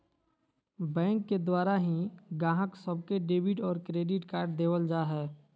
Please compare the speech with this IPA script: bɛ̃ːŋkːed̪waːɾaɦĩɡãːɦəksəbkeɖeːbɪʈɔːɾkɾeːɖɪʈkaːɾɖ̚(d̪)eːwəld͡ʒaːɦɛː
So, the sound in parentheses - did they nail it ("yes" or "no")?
yes